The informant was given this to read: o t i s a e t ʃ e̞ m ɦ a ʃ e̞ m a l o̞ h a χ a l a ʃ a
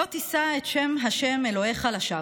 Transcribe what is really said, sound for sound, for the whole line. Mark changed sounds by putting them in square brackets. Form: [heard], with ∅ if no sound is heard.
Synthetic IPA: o t i s a e t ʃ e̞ m ɦ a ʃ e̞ m [e] l o̞ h [e] χ a l a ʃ a